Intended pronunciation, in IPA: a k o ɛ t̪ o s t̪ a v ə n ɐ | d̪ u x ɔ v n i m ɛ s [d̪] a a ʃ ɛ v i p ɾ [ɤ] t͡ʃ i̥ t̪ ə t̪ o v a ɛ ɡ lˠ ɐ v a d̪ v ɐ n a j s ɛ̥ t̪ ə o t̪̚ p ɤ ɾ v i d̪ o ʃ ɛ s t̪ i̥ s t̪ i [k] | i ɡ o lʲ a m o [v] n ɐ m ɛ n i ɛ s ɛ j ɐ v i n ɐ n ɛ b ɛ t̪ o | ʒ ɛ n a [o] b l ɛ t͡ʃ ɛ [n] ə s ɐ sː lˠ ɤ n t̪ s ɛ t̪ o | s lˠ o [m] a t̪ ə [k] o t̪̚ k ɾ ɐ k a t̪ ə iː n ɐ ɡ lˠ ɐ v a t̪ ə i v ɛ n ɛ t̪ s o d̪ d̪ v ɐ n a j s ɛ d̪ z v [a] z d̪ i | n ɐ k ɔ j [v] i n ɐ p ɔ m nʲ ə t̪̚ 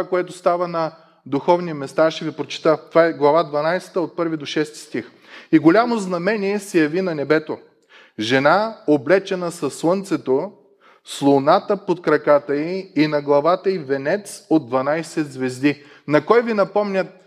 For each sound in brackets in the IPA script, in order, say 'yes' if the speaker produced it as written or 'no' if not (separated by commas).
no, no, no, no, yes, yes, no, no, no, yes